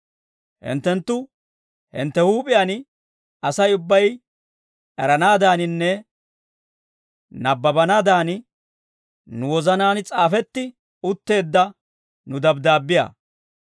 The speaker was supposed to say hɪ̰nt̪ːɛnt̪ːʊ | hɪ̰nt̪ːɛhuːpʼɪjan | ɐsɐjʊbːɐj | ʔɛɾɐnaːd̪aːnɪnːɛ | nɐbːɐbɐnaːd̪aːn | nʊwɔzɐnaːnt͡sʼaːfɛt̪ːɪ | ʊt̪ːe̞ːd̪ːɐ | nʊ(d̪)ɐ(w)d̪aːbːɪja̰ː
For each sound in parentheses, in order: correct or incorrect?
correct, incorrect: b

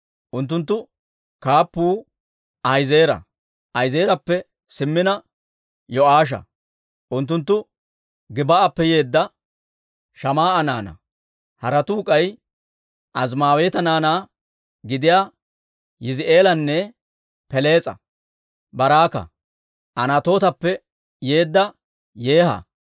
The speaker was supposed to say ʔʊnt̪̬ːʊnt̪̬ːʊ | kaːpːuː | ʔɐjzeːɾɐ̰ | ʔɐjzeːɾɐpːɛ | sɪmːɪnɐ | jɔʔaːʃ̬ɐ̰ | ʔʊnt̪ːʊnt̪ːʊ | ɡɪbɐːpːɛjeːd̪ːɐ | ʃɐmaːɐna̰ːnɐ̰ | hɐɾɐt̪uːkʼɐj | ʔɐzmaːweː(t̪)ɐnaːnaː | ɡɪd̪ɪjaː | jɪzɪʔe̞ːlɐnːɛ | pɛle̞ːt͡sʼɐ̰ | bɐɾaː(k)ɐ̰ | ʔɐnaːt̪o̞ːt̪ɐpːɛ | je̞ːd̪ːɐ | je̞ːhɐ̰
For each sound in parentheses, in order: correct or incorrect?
correct, correct

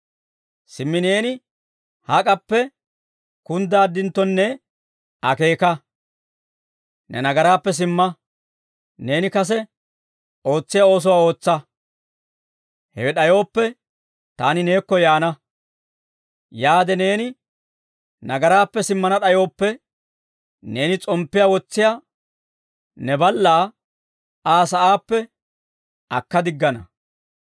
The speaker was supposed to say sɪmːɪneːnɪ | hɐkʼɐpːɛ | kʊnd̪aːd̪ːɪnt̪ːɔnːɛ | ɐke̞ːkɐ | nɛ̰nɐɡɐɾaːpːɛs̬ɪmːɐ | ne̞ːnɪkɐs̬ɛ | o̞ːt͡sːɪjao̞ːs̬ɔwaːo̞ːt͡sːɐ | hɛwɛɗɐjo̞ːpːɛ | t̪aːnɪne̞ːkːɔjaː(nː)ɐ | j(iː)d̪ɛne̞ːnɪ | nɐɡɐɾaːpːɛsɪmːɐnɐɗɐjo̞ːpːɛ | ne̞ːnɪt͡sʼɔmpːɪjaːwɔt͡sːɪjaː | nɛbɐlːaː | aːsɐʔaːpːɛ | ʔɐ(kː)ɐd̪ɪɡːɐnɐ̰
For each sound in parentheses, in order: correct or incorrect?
incorrect: n, incorrect: aː, correct

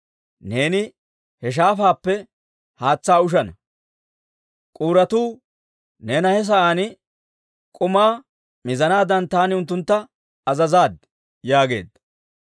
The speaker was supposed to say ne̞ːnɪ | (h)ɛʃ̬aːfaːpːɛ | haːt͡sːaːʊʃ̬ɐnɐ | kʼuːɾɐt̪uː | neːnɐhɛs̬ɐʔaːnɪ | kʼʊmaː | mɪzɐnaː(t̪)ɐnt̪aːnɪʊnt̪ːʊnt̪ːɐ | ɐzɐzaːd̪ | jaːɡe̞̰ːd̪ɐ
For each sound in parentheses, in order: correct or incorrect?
correct, incorrect: d̪

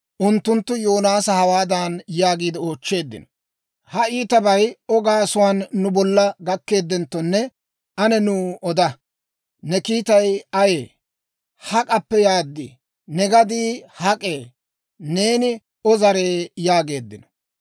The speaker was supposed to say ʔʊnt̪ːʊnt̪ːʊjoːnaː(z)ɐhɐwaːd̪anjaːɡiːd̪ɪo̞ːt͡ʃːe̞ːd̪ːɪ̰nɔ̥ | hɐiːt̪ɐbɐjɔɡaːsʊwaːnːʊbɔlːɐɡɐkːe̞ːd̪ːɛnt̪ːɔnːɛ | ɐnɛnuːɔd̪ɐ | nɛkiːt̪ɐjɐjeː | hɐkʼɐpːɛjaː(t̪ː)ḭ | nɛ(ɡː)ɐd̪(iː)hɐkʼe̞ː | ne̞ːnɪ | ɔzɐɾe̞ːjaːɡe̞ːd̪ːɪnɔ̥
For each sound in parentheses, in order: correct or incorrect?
incorrect: s, incorrect: d̪ː, incorrect: ɡ, correct

